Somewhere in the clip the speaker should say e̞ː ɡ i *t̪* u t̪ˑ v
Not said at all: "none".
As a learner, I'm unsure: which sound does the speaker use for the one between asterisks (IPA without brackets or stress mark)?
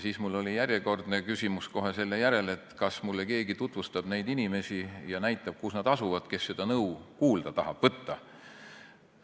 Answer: t̪